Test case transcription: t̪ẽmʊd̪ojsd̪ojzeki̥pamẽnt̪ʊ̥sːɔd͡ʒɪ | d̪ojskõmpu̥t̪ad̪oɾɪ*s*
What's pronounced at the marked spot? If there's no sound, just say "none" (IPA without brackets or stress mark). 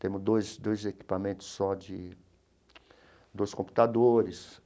s